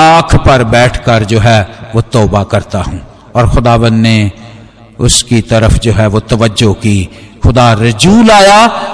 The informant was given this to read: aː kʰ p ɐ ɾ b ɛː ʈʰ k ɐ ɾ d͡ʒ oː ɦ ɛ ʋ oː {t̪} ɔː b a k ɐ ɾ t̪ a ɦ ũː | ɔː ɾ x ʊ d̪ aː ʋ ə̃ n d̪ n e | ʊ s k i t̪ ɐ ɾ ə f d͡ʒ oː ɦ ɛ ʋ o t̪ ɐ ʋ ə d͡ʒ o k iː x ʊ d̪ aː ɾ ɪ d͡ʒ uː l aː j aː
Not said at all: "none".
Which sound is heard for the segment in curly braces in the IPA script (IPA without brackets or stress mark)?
t̪